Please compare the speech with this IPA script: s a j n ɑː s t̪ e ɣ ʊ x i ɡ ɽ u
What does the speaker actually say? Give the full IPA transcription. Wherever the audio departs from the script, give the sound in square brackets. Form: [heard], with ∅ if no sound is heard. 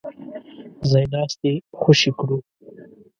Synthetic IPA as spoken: [z] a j n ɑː s t̪ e [x] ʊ [ʃ] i [k] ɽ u